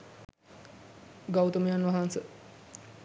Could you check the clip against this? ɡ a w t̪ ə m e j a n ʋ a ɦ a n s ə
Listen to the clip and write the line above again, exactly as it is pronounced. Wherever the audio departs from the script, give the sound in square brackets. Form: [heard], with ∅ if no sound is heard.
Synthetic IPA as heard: ɡ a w t̪ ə m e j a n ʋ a ɦ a n s ə